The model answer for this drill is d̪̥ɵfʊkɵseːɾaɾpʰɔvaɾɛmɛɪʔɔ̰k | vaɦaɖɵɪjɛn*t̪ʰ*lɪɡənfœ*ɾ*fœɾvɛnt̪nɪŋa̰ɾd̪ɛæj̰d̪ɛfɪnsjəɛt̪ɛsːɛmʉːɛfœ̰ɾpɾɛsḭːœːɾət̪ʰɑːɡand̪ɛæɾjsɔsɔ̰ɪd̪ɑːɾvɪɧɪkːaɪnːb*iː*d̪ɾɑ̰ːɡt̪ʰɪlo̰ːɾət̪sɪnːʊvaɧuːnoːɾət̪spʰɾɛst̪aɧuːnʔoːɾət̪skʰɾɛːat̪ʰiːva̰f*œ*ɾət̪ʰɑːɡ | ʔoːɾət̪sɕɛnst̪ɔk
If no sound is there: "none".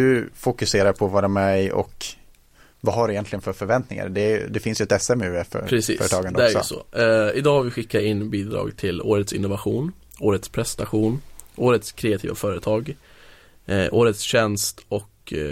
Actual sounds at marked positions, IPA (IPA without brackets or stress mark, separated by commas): t̪, ɾ, iː, œː